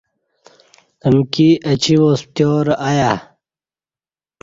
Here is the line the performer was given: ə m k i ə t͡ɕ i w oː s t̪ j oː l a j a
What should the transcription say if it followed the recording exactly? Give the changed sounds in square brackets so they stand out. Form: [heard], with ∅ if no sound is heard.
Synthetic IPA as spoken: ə m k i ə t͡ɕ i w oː s t̪ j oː [ɾ] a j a